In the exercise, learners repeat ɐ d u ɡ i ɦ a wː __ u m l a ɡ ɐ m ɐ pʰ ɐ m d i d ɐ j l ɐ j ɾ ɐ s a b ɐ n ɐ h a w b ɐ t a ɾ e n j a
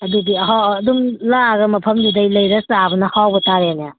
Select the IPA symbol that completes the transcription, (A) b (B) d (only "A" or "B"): B